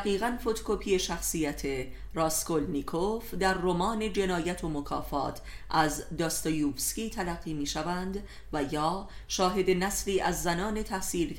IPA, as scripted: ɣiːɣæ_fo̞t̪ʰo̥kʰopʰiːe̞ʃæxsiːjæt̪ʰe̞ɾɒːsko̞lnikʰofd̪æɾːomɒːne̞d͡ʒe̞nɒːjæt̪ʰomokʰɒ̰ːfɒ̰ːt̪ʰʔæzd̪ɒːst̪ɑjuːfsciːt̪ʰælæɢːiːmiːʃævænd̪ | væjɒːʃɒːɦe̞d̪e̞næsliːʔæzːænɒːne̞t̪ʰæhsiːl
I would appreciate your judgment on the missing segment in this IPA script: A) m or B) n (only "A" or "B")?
B